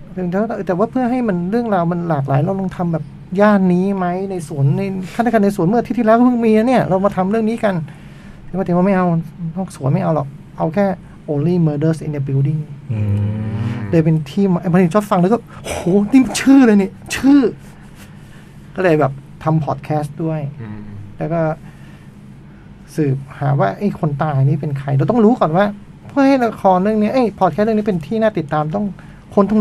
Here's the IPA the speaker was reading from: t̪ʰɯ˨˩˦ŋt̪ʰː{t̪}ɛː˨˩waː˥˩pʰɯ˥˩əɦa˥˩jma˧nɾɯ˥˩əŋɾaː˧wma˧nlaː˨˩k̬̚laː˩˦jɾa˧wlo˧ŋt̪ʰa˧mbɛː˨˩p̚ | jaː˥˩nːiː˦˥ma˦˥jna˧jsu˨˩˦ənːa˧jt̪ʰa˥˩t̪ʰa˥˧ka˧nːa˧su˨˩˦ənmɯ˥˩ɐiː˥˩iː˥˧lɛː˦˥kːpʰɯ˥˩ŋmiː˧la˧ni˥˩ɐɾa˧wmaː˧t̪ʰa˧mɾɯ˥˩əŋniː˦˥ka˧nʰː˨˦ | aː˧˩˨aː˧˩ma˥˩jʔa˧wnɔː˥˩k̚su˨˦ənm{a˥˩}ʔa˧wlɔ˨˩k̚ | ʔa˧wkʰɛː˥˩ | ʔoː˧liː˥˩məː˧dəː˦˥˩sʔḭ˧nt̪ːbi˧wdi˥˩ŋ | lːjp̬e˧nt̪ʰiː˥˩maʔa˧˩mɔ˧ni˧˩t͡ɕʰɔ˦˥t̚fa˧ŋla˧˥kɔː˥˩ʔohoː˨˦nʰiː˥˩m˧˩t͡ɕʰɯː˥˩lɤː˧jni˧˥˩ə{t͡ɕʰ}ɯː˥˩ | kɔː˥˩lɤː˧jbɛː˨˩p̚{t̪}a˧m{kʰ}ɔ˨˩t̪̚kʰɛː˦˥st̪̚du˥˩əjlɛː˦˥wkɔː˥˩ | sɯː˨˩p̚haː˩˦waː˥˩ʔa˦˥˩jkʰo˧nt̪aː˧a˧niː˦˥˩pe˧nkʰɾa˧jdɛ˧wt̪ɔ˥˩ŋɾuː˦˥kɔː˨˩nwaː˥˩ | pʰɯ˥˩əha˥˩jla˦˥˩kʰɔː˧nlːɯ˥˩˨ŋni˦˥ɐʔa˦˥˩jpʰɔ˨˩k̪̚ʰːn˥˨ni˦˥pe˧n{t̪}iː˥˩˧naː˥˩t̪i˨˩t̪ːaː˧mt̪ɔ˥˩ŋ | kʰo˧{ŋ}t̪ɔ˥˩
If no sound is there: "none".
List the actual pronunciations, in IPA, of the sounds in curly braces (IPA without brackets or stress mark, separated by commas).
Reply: t̪, a˥˩, t͡ɕʰ, t̪ʰ, pʰ, t̪ʰ, n